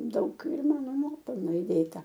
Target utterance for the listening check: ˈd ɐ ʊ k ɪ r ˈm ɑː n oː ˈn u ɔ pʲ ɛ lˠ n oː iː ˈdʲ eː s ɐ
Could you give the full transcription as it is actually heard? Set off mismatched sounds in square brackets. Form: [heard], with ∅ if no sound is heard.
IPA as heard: ˈd ɐ ʊ k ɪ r ˈm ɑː n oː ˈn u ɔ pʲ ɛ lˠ n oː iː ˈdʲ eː [t] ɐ